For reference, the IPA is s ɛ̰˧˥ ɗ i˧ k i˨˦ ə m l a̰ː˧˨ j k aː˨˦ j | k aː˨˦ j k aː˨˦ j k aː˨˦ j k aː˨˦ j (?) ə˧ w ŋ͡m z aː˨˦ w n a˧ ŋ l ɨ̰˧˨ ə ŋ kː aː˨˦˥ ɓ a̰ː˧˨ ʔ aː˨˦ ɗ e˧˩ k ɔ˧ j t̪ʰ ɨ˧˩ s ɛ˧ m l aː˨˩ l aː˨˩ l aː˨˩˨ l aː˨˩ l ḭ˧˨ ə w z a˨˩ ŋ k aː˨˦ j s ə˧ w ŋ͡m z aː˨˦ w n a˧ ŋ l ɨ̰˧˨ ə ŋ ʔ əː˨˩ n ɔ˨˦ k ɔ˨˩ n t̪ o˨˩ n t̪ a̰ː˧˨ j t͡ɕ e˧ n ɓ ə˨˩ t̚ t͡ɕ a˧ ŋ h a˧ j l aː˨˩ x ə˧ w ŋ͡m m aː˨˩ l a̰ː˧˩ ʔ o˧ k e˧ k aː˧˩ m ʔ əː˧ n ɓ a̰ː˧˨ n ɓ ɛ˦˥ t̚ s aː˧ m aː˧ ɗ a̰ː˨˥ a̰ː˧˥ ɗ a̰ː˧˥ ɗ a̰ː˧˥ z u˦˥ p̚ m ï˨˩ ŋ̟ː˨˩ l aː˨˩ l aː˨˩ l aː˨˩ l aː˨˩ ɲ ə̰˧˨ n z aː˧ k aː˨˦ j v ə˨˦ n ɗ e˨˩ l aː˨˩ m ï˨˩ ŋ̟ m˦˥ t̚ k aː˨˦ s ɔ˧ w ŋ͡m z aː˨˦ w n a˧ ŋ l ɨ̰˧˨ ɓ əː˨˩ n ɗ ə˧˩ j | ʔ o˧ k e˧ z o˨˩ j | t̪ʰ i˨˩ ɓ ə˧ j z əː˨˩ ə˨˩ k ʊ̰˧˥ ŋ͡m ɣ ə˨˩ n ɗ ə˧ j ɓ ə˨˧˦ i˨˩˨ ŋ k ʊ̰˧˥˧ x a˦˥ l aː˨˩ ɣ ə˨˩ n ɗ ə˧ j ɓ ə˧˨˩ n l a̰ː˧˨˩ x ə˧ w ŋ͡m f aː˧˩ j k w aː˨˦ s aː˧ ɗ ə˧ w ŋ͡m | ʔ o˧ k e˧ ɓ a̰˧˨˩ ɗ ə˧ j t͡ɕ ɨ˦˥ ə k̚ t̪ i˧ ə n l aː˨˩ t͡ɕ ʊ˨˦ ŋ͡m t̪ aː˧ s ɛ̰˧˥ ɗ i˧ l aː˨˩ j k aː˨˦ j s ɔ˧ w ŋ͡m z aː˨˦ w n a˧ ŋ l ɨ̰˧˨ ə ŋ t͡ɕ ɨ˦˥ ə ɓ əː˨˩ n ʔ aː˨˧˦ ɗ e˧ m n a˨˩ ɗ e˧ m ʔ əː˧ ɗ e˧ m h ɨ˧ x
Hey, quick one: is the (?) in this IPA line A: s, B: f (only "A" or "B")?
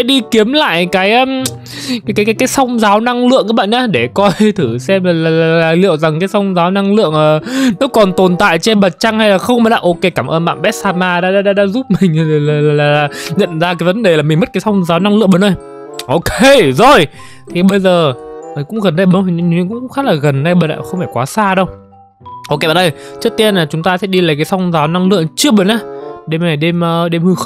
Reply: A